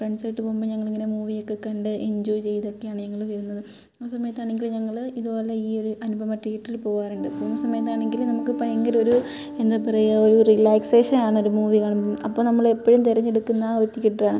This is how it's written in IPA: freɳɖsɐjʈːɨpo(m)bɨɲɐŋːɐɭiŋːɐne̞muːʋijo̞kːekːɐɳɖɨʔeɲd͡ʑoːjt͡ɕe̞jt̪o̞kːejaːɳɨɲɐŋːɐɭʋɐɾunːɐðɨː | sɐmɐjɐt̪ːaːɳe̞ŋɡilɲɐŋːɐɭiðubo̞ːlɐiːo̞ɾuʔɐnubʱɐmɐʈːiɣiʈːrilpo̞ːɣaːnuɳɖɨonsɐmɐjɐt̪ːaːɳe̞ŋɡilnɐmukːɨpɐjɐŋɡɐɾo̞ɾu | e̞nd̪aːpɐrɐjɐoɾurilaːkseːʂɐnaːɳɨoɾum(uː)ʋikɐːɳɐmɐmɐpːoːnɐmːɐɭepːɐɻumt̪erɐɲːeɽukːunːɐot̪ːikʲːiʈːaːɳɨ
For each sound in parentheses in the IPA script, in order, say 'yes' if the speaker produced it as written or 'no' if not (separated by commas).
yes, yes